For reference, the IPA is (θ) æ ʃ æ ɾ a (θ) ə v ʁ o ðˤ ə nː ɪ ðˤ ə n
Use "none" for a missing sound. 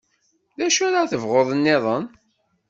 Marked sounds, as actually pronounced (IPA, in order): ð, θ

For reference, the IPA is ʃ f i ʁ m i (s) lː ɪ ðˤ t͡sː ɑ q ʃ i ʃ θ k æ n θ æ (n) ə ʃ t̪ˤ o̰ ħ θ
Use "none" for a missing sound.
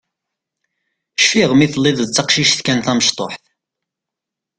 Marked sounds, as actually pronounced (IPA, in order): θ, m

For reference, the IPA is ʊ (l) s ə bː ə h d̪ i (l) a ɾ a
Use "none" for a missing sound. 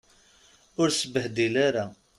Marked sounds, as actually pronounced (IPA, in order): ɾ, l

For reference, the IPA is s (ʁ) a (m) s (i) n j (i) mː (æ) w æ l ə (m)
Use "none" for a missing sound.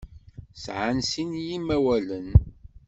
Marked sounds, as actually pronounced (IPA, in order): ʕ, n, i, i, æ, n

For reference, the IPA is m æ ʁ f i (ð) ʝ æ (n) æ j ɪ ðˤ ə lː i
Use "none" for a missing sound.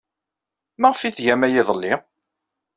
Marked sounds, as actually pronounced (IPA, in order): θ, m

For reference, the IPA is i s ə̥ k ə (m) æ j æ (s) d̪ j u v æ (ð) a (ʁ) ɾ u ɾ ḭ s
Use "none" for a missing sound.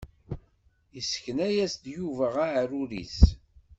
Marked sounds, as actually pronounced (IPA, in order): n, s, ʁ, ʕ

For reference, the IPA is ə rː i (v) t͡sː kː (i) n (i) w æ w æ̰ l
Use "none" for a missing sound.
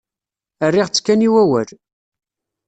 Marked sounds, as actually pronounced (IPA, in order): ʁ, æ, i

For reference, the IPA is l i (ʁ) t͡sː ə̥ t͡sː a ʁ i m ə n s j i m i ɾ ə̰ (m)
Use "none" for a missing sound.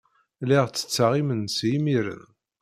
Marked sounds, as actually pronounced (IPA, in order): ʁ, n

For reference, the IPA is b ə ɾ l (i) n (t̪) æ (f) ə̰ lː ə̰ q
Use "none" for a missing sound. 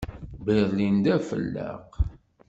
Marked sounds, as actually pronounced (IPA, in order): i, d̪, f

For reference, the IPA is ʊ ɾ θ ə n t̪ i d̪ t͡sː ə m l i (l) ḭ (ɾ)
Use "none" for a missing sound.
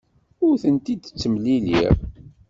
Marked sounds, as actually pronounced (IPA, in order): l, ɾ

